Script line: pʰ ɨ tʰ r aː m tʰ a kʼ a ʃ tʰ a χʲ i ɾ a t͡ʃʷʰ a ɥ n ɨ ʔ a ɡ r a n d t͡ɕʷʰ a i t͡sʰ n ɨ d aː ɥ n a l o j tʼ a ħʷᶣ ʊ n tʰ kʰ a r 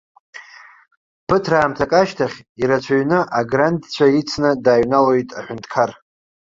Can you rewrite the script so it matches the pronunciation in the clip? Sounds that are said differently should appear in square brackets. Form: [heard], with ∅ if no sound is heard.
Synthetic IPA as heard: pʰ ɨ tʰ r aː m tʰ a kʼ a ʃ tʰ a χʲ i ɾ a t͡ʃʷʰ a ɥ n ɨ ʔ a ɡ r a n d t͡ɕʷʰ a i t͡sʰ n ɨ d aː ɥ n a l o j tʼ a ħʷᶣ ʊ n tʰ kʰ a r